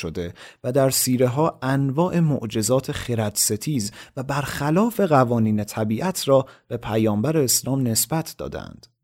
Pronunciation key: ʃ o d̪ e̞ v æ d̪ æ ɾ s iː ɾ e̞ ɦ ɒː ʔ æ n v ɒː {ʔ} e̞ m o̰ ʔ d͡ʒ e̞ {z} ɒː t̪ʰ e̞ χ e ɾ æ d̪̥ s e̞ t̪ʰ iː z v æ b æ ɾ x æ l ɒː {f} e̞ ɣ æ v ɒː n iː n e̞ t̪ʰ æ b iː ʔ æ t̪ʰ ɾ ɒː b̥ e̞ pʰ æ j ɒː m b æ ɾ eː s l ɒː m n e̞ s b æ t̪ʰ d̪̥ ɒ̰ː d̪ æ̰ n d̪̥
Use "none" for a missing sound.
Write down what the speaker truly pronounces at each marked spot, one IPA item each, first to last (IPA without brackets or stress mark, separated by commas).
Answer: ʔ, z, f